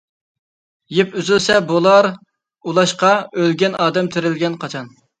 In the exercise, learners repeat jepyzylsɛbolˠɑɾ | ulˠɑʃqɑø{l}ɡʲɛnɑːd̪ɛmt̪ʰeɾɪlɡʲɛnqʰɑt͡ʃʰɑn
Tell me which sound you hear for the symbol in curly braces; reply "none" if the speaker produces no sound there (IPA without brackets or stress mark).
l